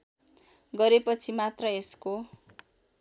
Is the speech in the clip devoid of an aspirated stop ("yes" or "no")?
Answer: no